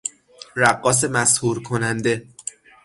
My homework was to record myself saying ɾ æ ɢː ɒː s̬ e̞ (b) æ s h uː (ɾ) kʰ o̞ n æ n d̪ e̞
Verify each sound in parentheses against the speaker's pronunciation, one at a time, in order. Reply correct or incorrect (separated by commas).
incorrect, correct